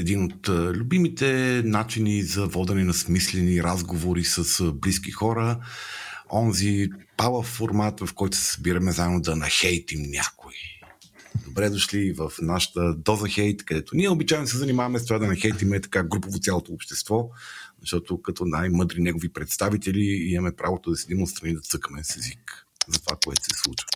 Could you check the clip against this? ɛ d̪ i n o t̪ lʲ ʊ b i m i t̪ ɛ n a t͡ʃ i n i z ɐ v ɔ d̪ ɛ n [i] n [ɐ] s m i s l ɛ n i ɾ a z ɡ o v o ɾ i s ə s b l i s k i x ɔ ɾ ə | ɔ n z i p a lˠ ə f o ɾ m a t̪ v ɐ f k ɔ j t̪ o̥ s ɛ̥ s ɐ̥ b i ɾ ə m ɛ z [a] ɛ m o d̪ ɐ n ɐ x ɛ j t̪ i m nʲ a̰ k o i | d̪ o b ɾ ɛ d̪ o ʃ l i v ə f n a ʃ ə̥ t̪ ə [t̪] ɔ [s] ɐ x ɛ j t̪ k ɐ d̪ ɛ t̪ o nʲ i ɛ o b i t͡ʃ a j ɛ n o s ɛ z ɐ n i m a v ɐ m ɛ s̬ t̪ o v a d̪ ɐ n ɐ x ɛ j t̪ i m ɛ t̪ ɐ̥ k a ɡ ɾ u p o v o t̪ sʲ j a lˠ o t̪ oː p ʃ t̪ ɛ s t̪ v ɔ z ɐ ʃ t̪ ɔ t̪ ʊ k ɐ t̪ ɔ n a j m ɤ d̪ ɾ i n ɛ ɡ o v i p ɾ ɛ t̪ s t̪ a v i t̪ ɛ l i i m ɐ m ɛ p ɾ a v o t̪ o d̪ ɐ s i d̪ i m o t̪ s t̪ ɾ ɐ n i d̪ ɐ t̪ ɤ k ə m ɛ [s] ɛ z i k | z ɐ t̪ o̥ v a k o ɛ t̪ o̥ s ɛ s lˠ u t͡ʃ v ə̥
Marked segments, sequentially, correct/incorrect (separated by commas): incorrect, correct, correct, incorrect, incorrect, correct